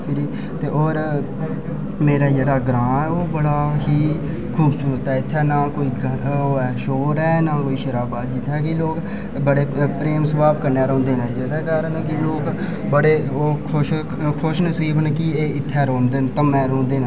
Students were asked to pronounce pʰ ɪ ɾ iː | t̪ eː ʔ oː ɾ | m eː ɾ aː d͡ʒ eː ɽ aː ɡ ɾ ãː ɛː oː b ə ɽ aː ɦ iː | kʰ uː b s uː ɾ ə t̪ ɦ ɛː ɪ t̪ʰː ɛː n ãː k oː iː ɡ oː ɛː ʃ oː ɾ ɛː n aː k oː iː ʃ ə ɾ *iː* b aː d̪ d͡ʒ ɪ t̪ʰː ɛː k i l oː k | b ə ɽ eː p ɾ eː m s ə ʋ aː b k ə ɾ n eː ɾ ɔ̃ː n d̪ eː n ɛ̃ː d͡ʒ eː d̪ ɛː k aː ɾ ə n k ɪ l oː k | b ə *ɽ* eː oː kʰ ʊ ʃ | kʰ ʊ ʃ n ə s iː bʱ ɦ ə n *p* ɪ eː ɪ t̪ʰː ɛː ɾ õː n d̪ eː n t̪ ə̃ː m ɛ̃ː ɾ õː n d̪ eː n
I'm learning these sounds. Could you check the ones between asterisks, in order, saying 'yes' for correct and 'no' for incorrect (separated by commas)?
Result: no, yes, no